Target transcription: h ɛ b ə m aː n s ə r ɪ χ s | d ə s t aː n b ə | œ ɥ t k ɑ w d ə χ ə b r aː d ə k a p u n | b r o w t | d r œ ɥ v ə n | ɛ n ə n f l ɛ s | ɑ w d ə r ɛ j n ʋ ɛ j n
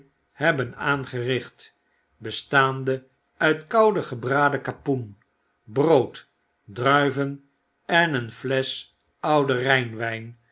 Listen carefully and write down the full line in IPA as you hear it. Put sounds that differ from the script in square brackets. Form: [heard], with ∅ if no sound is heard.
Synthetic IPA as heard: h ɛ b ə [n] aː n [χ] ə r ɪ χ [t] | [b] ə s t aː n [d] ə | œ ɥ t k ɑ w d ə χ ə b r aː d ə k a p u n | b r o w t | d r œ ɥ v ə n | ɛ n ə n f l ɛ s | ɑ w d ə r ɛ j n ʋ ɛ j n